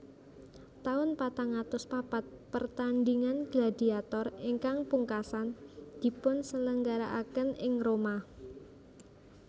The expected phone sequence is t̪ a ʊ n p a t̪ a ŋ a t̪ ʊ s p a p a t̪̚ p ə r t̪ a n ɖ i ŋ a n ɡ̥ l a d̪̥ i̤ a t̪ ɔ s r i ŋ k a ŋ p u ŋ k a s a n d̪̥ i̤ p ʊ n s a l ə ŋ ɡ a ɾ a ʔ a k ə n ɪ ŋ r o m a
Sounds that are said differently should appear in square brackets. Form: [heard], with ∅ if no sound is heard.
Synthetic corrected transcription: t̪ a ʊ n p a t̪ a ŋ a t̪ ʊ s p a p a t̪̚ p ə r t̪ a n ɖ i ŋ a n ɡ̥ l a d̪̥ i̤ a t̪ ɔ [∅] r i ŋ k a ŋ p u ŋ k a s a n d̪̥ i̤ p ʊ n s [ə] l ə ŋ ɡ a ɾ a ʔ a k ə n ɪ ŋ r o m a

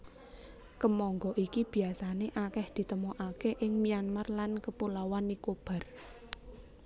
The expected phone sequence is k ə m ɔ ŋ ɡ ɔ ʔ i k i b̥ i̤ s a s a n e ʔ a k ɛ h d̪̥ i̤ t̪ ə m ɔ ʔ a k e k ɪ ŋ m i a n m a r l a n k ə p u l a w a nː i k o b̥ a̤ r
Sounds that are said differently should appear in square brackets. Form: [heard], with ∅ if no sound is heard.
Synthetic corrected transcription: k ə m ɔ ŋ ɡ ɔ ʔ i k i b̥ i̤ [∅] a s a n e ʔ a k ɛ h d̪̥ i̤ t̪ ə m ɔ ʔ a k e [ʔ] ɪ ŋ m i a n m a r l a n k ə p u l a w a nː i k o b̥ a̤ r

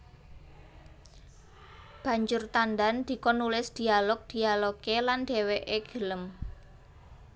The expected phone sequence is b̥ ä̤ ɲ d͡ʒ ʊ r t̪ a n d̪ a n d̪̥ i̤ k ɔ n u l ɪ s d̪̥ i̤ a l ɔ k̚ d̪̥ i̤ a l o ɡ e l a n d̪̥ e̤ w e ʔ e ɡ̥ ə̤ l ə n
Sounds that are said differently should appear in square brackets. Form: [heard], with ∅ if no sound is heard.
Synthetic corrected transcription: b̥ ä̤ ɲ d͡ʒ ʊ r t̪ a n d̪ a n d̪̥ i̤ k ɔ n u l ɪ s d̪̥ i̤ a l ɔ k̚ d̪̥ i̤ a l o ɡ e l a n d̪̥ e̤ w e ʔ e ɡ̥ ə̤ l ə [m]

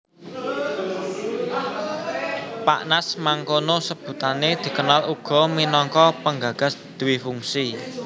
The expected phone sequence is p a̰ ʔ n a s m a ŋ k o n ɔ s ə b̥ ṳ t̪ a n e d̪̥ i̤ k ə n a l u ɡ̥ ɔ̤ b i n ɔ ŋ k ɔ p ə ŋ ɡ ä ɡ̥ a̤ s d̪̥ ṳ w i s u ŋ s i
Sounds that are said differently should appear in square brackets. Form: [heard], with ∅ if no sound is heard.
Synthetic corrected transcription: p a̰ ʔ n a s m a ŋ k o n [o] s ə b̥ ṳ t̪ a n e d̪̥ i̤ k ə n a l u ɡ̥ ɔ̤ [m] i n ɔ ŋ k ɔ p ə ŋ ɡ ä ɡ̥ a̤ s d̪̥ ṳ w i [f] u ŋ s i

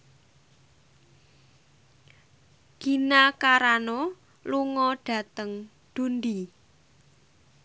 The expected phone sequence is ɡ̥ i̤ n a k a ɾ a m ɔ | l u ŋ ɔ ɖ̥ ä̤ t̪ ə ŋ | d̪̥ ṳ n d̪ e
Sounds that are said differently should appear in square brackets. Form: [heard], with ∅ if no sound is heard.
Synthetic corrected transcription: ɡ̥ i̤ n a k a ɾ a [n] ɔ | l u ŋ ɔ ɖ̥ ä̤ t̪ ə ŋ | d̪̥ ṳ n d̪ [i]

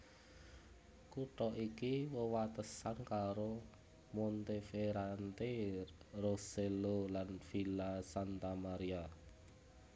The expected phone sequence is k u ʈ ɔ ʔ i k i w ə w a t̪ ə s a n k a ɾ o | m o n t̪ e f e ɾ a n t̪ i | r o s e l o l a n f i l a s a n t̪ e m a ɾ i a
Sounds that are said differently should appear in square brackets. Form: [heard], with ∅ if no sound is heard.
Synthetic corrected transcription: k u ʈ ɔ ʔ i k i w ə w a t̪ ə s a n k a ɾ o | m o n t̪ e f e ɾ a n t̪ [e] | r o s e l o l a n f i l a s a n t̪ [a] m a ɾ i a

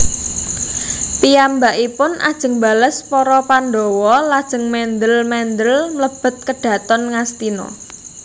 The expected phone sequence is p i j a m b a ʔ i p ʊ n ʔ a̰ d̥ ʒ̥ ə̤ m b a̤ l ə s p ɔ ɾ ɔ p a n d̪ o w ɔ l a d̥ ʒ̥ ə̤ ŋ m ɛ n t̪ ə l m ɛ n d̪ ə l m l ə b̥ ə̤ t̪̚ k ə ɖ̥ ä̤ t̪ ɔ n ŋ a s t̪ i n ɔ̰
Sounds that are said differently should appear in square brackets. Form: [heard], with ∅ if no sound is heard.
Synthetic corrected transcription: p i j a m b a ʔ i p ʊ n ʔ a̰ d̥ ʒ̥ ə̤ [ŋ] b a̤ l ə s p ɔ ɾ ɔ p a n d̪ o w ɔ l a d̥ ʒ̥ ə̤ ŋ m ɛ n [d̪] ə l m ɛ n d̪ ə l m l ə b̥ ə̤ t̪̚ k ə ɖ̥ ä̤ t̪ ɔ n ŋ a s t̪ i n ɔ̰

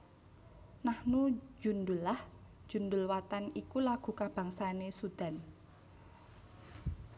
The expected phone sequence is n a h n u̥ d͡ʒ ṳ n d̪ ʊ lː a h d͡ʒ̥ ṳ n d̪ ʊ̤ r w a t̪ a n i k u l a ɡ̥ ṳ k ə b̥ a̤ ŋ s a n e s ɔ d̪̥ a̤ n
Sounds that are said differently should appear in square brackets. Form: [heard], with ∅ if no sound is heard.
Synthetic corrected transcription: n a h n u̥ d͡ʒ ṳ n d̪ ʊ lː a h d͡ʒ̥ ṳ n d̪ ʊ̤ [l] w a t̪ a n i k u l a ɡ̥ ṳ k [a] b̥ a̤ ŋ s a n e s [u] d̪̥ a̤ n

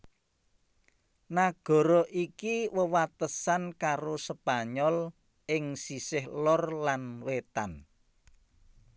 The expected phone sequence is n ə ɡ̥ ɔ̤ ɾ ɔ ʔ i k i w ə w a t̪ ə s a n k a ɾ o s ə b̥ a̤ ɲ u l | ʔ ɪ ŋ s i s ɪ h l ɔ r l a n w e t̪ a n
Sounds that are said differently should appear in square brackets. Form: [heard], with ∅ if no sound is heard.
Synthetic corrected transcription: n [a] ɡ̥ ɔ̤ ɾ ɔ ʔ i k i w ə w a t̪ ə s a n k a ɾ o s ə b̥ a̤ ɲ [ɔ] l | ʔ ɪ ŋ s i s ɪ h l ɔ r l a n w e t̪ a n

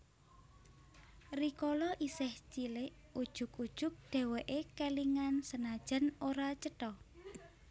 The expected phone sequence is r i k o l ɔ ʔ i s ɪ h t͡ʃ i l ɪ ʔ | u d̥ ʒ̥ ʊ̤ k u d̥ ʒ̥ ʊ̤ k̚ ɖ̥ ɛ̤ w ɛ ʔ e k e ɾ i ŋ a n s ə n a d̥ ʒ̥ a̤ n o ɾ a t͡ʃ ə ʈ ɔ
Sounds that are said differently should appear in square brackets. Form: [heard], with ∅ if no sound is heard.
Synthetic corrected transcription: r i k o l ɔ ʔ i s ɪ h t͡ʃ i l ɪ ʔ | u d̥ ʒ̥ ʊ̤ k u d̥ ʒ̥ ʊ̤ k̚ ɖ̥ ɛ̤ w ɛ ʔ e k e [l] i ŋ a n s ə n a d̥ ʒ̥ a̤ n o ɾ a t͡ʃ ə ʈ ɔ

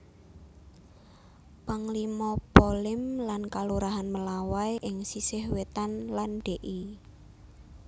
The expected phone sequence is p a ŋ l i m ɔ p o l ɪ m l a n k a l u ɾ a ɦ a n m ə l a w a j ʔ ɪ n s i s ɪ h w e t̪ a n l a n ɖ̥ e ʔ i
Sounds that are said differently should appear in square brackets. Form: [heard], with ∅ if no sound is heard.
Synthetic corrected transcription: p a ŋ l i m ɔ p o l ɪ m l a n k a l u ɾ a ɦ a n m ə l a w a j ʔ ɪ [ŋ] s i s ɪ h w e t̪ a n l a n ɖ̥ e ʔ i

